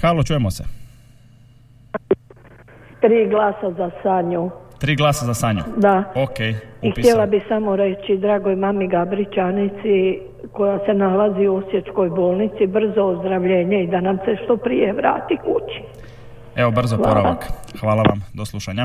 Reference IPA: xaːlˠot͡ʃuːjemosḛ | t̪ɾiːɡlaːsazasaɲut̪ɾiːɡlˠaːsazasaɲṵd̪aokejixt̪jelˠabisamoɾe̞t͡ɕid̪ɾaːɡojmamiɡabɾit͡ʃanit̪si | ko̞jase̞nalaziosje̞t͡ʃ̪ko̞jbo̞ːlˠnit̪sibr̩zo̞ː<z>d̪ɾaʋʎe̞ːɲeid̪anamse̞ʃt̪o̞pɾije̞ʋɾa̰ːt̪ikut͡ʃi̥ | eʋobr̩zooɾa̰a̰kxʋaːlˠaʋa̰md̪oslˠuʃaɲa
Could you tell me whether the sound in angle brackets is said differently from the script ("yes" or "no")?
no